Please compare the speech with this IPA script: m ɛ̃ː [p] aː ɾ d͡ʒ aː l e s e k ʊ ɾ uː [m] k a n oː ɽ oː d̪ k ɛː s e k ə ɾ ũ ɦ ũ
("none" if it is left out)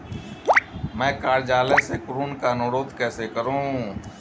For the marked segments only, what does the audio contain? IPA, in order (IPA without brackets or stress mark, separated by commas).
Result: k, n